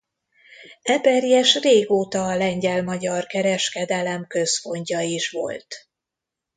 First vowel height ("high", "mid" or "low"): mid